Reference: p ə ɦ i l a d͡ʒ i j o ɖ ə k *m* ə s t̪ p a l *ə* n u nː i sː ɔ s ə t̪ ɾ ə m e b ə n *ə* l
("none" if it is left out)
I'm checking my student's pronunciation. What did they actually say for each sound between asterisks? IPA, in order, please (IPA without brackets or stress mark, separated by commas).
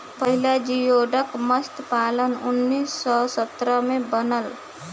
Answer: m, ə, ə